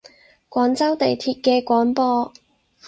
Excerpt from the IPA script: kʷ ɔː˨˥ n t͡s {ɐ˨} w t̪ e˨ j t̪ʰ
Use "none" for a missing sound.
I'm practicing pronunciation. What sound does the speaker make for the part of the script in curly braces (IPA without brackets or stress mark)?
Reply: ɐ˥